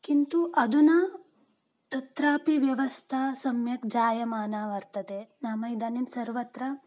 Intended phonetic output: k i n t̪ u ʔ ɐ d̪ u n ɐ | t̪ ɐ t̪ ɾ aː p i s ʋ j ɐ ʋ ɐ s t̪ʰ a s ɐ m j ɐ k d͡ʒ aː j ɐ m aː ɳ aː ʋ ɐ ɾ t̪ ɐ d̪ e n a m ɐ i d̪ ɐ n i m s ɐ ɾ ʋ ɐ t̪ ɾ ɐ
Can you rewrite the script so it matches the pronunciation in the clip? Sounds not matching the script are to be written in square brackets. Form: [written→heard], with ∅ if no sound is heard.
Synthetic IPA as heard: k i n t̪ u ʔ ɐ d̪ u n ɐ | t̪ ɐ t̪ ɾ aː p i [s→∅] ʋ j ɐ ʋ ɐ s t̪ʰ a s ɐ m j ɐ k d͡ʒ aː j ɐ m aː [ɳ→n] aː ʋ ɐ ɾ t̪ ɐ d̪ e n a m ɐ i d̪ ɐ n i m s ɐ ɾ ʋ ɐ t̪ ɾ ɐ